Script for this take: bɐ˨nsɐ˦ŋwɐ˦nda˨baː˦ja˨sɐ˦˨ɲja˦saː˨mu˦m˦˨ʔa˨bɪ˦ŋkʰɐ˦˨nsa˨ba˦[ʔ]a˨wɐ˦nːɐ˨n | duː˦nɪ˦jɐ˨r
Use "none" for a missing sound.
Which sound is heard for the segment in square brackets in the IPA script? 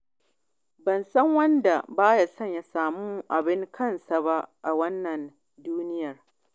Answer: ʔ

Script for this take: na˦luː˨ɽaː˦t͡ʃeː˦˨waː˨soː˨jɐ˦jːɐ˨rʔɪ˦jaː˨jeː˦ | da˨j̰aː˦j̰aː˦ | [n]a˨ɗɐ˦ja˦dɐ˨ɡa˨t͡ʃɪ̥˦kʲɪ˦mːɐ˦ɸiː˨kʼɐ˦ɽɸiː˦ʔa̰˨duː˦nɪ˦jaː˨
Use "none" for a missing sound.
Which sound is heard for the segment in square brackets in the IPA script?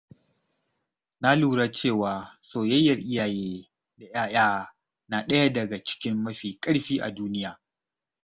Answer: n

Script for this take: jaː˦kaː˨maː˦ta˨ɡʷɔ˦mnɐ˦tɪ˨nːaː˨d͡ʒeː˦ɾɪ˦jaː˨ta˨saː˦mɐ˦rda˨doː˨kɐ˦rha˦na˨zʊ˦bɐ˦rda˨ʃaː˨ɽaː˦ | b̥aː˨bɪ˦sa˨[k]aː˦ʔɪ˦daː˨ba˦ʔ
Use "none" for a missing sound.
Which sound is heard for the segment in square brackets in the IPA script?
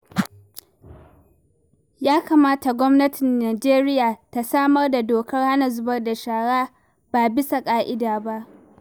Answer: kʼ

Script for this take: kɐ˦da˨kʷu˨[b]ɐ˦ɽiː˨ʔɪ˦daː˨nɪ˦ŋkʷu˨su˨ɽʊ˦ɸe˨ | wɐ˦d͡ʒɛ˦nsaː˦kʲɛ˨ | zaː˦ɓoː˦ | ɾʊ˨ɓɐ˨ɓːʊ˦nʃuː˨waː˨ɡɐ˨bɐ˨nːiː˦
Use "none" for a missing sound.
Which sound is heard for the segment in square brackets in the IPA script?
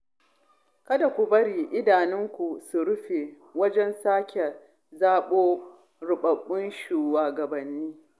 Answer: b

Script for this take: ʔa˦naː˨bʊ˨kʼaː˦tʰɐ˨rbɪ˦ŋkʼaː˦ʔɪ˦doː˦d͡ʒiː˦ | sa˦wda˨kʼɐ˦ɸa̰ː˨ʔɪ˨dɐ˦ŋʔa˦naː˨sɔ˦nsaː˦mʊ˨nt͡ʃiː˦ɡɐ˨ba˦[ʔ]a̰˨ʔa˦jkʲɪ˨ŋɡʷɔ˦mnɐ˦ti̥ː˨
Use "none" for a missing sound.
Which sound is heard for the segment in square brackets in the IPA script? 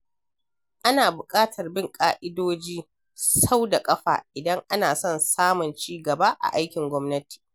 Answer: ʔ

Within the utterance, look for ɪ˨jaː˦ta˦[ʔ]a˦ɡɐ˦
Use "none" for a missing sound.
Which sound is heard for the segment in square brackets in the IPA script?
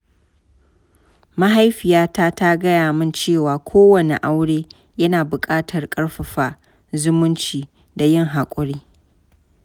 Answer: t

